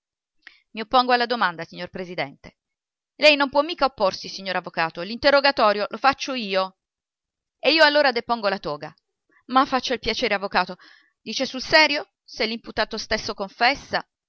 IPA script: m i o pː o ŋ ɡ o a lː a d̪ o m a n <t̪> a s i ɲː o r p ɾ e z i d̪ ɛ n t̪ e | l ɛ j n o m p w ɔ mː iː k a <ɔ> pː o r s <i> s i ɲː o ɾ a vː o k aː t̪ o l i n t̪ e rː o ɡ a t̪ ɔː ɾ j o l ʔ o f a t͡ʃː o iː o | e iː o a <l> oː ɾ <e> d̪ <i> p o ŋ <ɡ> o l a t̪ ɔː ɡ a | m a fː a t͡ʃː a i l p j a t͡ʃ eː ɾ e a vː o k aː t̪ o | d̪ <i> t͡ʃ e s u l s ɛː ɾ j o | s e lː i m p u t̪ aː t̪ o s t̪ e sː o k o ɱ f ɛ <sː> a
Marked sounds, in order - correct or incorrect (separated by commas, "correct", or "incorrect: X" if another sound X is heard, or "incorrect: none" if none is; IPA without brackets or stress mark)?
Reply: incorrect: d̪, incorrect: o, correct, incorrect: lː, incorrect: a, incorrect: e, correct, incorrect: iː, correct